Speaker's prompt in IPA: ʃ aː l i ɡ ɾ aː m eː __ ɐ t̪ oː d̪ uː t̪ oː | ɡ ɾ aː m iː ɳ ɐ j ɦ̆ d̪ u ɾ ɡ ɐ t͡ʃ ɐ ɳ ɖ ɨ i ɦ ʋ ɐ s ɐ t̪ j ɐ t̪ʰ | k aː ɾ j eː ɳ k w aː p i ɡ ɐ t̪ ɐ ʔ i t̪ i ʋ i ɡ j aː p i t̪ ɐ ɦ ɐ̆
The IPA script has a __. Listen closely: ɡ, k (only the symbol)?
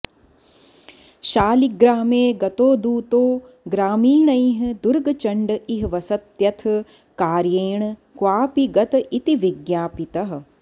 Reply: ɡ